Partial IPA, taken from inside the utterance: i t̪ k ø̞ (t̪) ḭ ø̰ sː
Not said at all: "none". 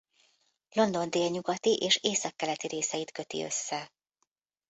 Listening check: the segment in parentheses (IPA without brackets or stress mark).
t̪